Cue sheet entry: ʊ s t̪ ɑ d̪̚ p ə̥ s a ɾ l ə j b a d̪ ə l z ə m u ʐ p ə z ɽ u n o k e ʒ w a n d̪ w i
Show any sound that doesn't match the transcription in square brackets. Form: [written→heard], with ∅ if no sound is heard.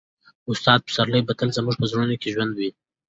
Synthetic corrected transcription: ʊ s t̪ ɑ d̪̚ p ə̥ s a ɾ l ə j b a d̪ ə l z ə m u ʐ p ə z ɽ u n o k e ʒ w a n d̪ w i